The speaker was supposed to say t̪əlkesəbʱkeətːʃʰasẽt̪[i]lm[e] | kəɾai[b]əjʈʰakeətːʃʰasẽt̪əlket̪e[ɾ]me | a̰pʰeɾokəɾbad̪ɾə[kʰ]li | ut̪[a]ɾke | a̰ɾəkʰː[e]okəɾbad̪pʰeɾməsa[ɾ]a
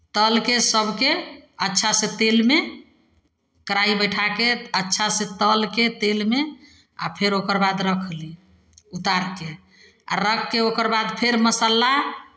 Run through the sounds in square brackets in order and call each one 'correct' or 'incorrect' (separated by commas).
incorrect, correct, correct, incorrect, correct, correct, correct, incorrect